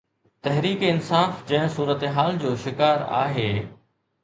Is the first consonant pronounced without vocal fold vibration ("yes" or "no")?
yes